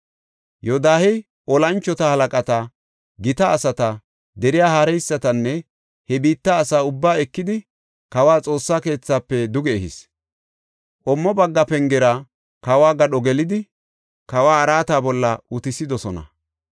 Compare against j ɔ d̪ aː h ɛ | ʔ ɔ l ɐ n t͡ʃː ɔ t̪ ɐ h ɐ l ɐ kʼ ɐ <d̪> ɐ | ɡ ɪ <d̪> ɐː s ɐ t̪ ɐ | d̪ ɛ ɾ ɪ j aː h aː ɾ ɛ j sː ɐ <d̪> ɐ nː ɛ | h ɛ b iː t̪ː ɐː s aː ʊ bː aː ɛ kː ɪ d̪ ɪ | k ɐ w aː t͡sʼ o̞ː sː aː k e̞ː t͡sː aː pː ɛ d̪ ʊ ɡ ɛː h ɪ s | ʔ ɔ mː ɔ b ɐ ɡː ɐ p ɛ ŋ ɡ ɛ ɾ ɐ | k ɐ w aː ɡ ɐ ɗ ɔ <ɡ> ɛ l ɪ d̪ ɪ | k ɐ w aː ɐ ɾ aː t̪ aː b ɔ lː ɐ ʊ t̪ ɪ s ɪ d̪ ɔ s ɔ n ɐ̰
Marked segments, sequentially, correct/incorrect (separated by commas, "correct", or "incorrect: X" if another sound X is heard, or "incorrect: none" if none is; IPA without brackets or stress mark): incorrect: t̪, incorrect: t̪, incorrect: t̪, correct